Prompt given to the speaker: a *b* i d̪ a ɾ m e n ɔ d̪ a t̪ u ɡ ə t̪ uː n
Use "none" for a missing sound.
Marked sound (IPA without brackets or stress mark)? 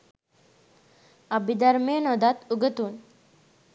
b